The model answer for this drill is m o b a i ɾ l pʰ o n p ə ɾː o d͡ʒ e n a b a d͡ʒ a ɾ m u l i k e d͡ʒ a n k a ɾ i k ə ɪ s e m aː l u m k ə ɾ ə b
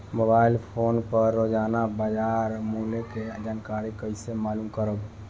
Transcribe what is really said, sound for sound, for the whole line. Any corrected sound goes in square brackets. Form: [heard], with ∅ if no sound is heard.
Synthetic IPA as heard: m o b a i [∅] l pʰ o n p ə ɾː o d͡ʒ [a] n a b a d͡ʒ a ɾ m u l [e] k e d͡ʒ a n k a ɾ i k ə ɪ s e m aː l u m k ə ɾ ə b